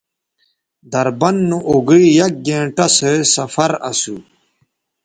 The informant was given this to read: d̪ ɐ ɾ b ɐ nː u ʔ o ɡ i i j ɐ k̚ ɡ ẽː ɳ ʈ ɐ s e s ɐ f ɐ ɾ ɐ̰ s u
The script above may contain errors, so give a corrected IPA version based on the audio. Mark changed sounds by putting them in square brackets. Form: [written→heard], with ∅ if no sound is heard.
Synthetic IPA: d̪ ɐ ɾ b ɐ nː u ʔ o ɡ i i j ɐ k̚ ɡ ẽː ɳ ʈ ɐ s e s ɐ f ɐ ɾ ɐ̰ s u